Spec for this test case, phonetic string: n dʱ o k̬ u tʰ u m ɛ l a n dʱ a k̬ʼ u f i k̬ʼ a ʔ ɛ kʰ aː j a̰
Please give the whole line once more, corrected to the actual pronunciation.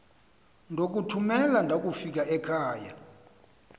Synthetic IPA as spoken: n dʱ o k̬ u tʰ u m ɛ l a n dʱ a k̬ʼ u f i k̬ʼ a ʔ ɛ kʰ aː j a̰